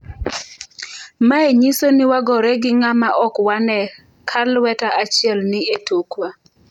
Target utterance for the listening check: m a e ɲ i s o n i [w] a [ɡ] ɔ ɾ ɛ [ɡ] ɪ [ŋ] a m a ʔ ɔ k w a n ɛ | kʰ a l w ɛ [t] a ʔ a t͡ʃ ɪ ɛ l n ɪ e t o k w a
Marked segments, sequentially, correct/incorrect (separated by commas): correct, correct, correct, correct, correct